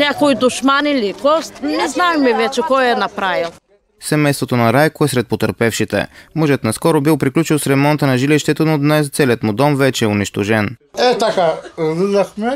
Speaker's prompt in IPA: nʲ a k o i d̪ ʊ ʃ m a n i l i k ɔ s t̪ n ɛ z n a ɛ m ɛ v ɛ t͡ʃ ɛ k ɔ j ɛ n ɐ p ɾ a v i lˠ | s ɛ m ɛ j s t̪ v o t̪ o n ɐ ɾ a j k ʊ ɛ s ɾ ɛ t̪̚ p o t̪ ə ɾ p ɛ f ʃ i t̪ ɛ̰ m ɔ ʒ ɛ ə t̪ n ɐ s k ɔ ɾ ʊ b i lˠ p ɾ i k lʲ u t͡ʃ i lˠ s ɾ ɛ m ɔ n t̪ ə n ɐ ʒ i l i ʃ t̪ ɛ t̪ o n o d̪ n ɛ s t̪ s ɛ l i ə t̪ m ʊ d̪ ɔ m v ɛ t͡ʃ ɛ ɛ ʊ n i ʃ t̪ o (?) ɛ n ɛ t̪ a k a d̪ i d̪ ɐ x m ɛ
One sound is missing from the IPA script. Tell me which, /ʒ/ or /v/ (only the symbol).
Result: ʒ